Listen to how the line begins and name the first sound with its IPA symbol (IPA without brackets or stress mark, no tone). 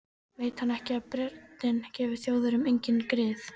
v